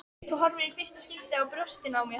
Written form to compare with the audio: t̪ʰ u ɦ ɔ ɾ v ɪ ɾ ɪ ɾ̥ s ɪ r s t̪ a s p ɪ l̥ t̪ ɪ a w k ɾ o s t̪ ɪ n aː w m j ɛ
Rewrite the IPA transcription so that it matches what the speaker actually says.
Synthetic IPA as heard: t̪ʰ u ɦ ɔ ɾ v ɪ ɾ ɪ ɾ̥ f ɪ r s t̪ a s c ɪ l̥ t̪ ɪ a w p ɾ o s t̪ ɪ n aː w m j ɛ

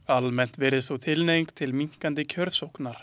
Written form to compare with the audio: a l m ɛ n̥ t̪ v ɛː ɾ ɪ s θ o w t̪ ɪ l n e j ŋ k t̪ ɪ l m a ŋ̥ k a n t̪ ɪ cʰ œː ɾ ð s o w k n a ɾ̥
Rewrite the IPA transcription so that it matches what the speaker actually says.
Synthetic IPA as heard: a l m ɛ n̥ t̪ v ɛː ɾ ɪ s θ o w t̪ʰ ɪ l n e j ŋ k t̪ʰ ɪ l m i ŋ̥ k a n t̪ ɪ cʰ œ ɾ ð s o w k n a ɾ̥

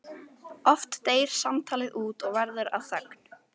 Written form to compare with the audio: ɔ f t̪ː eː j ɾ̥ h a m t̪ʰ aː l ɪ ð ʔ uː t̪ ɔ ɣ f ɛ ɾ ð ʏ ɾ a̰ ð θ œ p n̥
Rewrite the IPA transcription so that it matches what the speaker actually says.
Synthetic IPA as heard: ɔ f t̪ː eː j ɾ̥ s a m t̪ʰ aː l ɪ ð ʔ uː t̪ ɔ ɣ v ɛ ɾ ð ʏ ɾ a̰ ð θ œ k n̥

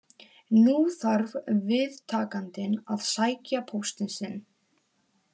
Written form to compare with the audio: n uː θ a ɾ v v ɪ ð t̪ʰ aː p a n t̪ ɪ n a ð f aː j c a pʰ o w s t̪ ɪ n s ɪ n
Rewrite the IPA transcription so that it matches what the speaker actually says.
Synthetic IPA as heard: n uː θ a ɾ v v ɪ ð t̪ʰ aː k a n t̪ ɪ n a ð s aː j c a pʰ o w s t̪ ɪ n s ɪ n

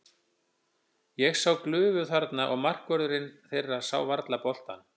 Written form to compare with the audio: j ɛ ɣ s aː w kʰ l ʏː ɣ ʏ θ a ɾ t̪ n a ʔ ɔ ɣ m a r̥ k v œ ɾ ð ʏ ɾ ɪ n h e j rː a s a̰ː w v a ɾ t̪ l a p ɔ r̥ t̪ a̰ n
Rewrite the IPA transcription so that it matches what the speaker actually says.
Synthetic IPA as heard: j ɛ ɣ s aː w k l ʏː v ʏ θ a ɾ t̪ n a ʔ ɔ ɣ m a r̥ k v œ ɾ ð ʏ ɾ ɪ n θ e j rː a s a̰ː w v a ɾ t̪ l a p ɔ l̥ t̪ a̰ n

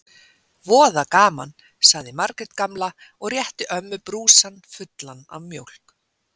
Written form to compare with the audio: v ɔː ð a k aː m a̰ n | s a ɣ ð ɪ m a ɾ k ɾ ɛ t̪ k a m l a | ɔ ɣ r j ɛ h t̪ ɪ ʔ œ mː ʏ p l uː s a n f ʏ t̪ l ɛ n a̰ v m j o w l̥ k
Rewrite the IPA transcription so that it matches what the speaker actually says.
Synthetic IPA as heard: v ɔː ð a k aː m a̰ n | s a ɣ ð ɪ m a ɾ k ɾ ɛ t̪ k a m l a | ɔ ɣ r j ɛ h t̪ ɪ ʔ œ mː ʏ p ɾ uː s a n f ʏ t̪ l a n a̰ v m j o w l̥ k

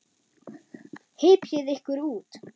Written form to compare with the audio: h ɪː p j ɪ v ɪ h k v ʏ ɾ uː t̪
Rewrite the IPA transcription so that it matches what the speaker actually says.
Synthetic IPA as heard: h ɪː p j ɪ ð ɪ h k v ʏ ɾ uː t̪

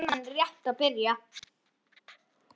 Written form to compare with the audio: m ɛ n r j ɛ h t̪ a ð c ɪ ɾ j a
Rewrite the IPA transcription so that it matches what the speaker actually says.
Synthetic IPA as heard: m a n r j ɛ h t̪ a ð p ɪ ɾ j a

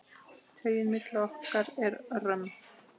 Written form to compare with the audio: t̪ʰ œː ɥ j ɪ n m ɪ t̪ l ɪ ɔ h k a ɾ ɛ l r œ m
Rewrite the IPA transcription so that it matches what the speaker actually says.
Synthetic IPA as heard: t̪ʰ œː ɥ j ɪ n m ɪ t̪ l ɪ ɔ h k a ɾ ɛ ɾ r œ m

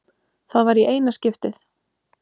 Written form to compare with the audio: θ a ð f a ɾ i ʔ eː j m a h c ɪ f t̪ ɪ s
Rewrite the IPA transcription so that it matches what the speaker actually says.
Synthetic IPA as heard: θ a ð v a ɾ i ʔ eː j n a s c ɪ f t̪ ɪ θ

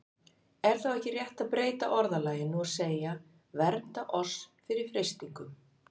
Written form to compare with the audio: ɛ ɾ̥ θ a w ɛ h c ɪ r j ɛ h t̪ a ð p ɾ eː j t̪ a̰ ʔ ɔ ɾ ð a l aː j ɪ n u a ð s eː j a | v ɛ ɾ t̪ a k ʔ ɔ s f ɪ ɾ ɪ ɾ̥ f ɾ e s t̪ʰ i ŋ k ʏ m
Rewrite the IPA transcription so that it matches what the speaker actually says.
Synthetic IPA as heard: ɛ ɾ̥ θ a w ɛ h c ɪ r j ɛ h t̪ a ð p ɾ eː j t̪ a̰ ʔ ɔ ɾ ð a l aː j ɪ n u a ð s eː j a | v ɛ ɾ t̪ a ʔ ɔ s f ɪ ɾ ɪ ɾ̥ f ɾ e s t̪ i ŋ k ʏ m

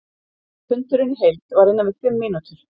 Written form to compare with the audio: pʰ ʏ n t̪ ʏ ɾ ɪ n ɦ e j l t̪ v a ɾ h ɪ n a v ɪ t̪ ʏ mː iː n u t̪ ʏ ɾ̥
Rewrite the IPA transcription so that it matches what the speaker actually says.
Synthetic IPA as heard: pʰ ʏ n t̪ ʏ ɾ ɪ n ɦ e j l t̪ v a ɾ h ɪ nː a v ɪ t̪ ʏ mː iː n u t̪ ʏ ɾ̥

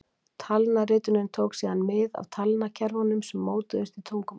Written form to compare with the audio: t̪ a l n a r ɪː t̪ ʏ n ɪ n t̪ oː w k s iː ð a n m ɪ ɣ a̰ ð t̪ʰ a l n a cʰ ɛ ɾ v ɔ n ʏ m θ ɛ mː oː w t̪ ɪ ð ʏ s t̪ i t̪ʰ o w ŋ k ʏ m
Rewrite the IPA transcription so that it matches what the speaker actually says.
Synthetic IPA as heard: t̪ʰ a l n a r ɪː t̪ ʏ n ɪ n t̪ʰ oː w k s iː ð a n m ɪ ð a̰ v t̪ʰ a l n a cʰ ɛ ɾ v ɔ n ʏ m s ɛ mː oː w t̪ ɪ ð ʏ s t̪ i t̪ʰ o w ŋ k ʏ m

